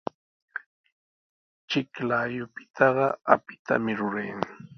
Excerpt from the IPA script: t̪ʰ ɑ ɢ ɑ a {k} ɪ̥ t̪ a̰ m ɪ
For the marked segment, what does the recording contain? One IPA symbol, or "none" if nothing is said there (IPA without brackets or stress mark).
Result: p